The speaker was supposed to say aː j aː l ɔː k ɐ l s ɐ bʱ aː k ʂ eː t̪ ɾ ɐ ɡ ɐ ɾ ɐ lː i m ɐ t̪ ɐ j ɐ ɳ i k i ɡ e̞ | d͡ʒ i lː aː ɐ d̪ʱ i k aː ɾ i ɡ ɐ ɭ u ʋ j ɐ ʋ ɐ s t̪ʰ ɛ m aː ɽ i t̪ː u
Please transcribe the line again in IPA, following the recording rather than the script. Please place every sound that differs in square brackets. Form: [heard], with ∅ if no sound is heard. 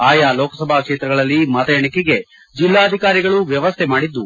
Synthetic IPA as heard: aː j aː l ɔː k ɐ [∅] s ɐ bʱ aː k ʂ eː t̪ ɾ ɐ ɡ ɐ [ɭ] ɐ lː i m ɐ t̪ ɐ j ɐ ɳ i k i ɡ e̞ | d͡ʒ i lː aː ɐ d̪ʱ i k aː ɾ i ɡ ɐ ɭ u ʋ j ɐ ʋ ɐ s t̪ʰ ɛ m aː ɽ i [d̪ː] u